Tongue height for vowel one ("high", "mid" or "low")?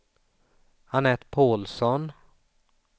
low